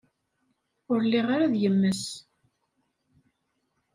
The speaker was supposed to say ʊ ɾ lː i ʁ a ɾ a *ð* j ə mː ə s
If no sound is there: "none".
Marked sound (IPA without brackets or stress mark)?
ð